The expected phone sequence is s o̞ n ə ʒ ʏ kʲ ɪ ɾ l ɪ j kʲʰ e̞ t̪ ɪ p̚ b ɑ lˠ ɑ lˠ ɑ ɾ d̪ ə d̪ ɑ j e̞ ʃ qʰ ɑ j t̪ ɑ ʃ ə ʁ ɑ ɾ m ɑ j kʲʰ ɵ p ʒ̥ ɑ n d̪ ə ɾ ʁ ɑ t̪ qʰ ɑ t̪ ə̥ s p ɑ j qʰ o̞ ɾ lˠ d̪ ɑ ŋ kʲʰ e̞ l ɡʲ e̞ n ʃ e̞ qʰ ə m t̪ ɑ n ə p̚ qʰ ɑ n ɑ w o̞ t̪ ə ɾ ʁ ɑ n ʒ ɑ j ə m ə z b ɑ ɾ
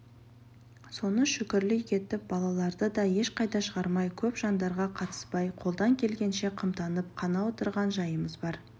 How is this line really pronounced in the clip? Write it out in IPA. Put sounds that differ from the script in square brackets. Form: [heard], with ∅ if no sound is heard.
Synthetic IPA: s o̞ n ə [ʃ] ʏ kʲ ɪ ɾ l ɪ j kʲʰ e̞ t̪ ɪ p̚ b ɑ lˠ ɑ lˠ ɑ ɾ d̪ ə d̪ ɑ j e̞ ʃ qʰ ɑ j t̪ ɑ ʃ ə ʁ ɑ ɾ m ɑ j kʲʰ ɵ p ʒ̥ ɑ n d̪ [ɑ] ɾ ʁ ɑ [∅] qʰ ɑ t̪ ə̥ s p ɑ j qʰ o̞ [∅] lˠ d̪ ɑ ŋ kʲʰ e̞ l ɡʲ e̞ n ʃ e̞ qʰ ə m t̪ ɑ n ə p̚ qʰ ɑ n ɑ w o̞ t̪ ə ɾ ʁ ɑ n ʒ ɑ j ə m ə z b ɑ ɾ